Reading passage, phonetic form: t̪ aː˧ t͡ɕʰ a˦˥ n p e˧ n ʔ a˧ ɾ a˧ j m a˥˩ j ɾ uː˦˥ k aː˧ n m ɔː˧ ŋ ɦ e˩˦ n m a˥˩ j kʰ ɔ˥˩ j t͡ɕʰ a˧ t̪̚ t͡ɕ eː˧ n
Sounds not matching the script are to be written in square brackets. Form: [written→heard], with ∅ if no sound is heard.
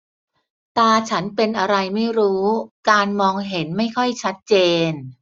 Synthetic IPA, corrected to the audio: t̪ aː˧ t͡ɕʰ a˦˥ n p e˧ n ʔ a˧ ɾ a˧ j m a˥˩ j ɾ uː˦˥ k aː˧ n m ɔː˧ ŋ ɦ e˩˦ n m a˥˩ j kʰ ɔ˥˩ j t͡ɕʰ [a˧→a˦˥] t̪̚ t͡ɕ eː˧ n

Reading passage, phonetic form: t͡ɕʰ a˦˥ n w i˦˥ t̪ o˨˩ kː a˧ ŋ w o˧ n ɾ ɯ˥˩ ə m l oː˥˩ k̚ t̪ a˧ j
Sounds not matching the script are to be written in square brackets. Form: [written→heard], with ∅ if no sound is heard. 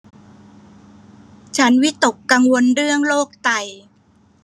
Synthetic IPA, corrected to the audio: t͡ɕʰ a˦˥ n w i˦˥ t̪ o˨˩ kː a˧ ŋ w o˧ n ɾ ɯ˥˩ ə [m→ŋ] l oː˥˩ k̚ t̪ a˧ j

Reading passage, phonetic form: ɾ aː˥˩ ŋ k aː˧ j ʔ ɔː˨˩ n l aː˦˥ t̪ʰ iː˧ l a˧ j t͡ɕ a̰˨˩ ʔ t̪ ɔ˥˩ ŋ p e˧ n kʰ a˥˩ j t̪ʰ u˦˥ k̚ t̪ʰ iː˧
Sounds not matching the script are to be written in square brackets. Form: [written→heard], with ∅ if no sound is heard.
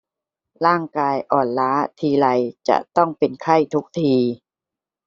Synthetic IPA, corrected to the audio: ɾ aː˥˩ ŋ k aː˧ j ʔ ɔː˨˩ n l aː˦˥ t̪ʰ iː˧ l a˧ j t͡ɕ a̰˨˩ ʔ t̪ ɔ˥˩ ŋ p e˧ n kʰ a˥˩ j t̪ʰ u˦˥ k̚ t̪ʰ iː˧

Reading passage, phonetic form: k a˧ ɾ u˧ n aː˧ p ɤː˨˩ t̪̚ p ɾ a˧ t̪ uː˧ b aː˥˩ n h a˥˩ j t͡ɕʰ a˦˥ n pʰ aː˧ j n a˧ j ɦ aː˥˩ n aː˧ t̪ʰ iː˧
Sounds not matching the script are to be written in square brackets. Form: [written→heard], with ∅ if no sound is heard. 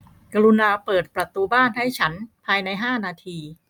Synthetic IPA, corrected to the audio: k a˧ ɾ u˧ n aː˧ p ɤː˨˩ t̪̚ p ɾ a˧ t̪ uː˧ b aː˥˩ n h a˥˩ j t͡ɕʰ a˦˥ n pʰ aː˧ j n a˧ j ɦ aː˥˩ n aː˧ t̪ʰ iː˧

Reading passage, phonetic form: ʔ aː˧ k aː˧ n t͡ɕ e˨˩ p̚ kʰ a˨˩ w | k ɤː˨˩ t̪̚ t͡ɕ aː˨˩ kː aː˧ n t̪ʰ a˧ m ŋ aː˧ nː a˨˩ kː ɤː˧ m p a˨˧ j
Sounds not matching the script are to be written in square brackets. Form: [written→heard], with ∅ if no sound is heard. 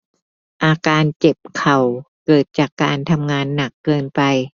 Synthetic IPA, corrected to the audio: ʔ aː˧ k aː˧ n t͡ɕ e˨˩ p̚ kʰ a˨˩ w | k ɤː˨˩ t̪̚ t͡ɕ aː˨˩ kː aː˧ n t̪ʰ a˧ m ŋ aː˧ nː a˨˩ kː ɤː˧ [m→n] p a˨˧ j

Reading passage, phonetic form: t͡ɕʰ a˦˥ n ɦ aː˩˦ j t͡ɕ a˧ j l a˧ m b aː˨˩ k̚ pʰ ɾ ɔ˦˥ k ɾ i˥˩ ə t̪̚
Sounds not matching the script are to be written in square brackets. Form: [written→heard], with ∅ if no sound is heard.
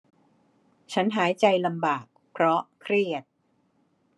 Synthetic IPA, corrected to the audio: t͡ɕʰ a˦˥ n ɦ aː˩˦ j t͡ɕ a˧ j l a˧ m b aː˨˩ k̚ pʰ ɾ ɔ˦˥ [k→kʰ] ɾ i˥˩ ə t̪̚

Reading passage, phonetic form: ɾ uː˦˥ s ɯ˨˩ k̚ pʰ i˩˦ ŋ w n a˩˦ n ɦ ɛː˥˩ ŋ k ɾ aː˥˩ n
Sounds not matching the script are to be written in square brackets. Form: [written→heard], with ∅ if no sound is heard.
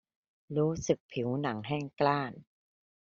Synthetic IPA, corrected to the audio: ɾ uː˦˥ s ɯ˨˩ k̚ pʰ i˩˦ [ŋ→∅] w n a˩˦ [n→ŋ] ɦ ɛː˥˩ ŋ k [ɾ→l] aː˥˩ n

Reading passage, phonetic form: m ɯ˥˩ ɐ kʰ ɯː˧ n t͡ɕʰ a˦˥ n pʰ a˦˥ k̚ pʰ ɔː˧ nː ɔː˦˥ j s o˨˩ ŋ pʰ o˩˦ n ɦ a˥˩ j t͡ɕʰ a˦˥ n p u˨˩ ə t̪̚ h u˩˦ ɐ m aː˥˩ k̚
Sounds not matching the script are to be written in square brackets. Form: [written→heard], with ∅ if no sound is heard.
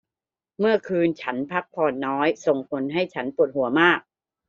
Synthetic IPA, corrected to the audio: m ɯ˥˩ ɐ kʰ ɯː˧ n t͡ɕʰ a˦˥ n pʰ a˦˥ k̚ pʰ ɔː˧ nː ɔː˦˥ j s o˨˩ ŋ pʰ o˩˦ n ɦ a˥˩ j t͡ɕʰ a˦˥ n p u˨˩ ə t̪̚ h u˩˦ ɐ m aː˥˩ k̚

